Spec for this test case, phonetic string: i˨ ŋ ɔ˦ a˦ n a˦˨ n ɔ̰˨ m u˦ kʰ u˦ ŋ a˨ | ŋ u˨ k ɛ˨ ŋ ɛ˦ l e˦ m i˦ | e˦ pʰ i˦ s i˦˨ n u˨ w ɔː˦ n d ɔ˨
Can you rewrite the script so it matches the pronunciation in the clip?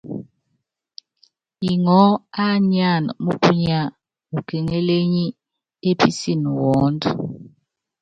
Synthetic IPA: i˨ ŋ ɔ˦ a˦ ɲ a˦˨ n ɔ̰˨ m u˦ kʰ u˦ ɲ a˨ | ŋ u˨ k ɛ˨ ŋ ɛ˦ l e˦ ɲ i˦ | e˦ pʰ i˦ s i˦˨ n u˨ w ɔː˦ n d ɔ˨

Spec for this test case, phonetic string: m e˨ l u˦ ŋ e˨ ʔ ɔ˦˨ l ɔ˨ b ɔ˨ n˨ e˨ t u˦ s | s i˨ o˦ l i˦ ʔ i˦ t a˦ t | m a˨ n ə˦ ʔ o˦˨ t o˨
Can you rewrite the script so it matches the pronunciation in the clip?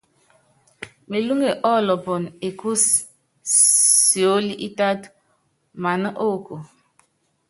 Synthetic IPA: m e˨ l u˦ ŋ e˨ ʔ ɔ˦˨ l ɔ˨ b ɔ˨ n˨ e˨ k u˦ s | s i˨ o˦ l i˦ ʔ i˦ t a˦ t | m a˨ n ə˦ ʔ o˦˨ k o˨

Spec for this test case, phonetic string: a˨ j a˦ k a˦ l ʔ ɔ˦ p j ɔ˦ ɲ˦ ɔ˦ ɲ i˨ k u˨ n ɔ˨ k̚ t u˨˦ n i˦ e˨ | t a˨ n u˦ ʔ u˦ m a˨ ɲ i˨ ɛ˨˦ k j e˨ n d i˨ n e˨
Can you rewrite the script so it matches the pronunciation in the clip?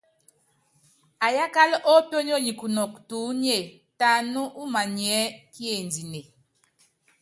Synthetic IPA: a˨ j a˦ k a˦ l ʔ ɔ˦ p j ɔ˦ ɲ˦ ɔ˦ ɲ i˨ k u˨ n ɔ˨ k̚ t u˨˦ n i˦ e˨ | t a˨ n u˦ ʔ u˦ m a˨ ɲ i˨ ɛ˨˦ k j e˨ n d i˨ n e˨

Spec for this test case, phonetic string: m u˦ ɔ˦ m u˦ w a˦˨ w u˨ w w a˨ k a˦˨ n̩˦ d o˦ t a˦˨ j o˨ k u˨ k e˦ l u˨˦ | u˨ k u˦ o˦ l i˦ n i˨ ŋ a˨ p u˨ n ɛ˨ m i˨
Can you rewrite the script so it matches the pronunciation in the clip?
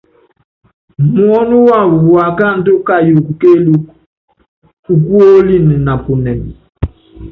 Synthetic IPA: m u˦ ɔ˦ n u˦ w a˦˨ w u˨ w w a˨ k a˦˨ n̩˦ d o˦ k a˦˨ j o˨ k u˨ k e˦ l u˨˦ | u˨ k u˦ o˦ l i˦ n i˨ n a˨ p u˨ n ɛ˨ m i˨

